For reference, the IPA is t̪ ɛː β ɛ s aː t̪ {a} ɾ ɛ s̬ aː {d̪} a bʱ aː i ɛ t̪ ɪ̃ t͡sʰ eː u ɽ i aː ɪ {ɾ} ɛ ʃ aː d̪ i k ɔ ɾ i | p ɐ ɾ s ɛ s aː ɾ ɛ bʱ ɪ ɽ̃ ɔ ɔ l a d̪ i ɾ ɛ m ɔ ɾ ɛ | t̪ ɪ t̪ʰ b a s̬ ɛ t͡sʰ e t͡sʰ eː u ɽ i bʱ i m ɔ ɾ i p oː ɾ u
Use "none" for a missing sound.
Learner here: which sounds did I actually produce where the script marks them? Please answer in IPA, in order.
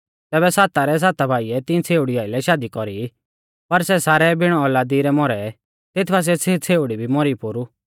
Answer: a, t̪, l

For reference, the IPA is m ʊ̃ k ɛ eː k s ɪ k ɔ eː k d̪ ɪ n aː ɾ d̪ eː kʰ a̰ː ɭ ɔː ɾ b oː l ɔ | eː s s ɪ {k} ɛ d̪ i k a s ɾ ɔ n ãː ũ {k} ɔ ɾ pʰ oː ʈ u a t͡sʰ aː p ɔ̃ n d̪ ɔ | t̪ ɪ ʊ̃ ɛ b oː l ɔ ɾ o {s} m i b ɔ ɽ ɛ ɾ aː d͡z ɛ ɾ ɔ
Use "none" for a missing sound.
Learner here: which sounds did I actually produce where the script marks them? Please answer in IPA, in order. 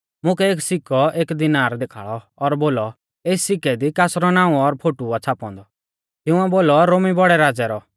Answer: k, none, none

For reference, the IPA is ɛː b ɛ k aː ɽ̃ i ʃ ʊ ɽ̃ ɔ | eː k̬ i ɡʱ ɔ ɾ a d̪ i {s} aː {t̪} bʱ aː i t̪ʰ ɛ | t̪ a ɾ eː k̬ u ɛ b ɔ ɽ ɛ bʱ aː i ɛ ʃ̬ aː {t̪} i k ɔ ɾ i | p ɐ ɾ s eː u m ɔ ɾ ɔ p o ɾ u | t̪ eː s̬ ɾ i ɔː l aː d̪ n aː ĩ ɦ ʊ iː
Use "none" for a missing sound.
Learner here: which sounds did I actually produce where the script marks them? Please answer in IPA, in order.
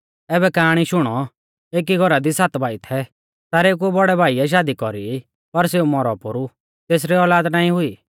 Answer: s, t̪, d̪

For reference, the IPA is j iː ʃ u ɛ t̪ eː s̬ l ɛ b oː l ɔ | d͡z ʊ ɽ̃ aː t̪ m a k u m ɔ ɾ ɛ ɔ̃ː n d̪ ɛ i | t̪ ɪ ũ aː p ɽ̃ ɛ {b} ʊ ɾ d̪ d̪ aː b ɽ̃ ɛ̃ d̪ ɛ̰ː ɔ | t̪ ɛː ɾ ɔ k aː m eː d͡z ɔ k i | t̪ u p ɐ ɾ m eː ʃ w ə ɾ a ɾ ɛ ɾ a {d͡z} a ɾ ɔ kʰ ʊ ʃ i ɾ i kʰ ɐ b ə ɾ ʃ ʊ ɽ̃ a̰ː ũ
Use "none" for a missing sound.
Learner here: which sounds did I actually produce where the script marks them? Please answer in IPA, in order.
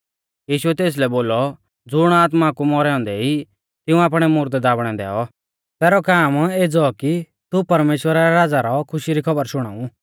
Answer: m, d͡z

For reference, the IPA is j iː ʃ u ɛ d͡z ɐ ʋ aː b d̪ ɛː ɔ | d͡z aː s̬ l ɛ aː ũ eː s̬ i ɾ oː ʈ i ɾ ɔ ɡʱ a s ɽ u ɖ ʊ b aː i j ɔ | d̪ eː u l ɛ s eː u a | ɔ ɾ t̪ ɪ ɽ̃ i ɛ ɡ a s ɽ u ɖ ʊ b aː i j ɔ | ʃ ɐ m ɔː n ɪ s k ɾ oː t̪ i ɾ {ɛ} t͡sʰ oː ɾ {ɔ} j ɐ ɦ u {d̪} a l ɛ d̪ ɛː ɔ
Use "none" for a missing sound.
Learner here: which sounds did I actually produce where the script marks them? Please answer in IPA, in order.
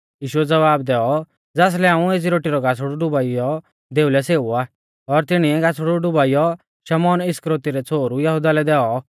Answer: ɛ, u, d̪

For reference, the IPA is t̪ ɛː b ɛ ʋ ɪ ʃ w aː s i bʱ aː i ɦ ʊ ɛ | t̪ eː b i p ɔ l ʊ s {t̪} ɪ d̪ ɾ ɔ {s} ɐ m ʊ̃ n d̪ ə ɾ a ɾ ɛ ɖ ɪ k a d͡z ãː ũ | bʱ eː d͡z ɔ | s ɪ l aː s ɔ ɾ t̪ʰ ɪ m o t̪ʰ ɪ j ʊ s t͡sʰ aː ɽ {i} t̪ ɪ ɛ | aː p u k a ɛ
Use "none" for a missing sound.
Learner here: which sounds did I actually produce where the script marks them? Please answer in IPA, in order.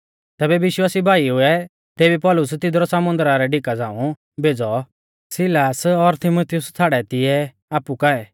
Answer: t̪, s, ɛ

